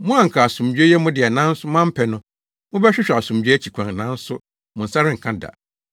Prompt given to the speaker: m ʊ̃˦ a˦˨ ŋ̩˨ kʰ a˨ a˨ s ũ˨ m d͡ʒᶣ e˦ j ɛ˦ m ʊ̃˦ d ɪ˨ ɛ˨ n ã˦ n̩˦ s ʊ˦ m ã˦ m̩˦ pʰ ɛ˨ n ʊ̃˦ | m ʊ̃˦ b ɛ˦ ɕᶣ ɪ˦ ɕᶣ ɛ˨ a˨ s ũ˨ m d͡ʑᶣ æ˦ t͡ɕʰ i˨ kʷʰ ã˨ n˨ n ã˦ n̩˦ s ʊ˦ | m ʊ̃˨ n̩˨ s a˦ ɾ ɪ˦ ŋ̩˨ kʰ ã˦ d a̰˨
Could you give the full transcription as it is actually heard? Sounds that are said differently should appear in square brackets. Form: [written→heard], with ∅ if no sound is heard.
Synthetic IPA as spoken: m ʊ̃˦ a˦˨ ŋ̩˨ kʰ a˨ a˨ s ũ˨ m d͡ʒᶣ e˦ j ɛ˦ m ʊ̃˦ d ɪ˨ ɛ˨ n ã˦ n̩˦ s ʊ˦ m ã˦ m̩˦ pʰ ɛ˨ n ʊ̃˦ | m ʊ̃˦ b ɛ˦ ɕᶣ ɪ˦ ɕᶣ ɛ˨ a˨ s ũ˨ m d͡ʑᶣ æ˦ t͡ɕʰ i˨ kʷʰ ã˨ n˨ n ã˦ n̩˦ s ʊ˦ | m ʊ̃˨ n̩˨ s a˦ ɾ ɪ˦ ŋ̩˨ kʰ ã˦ d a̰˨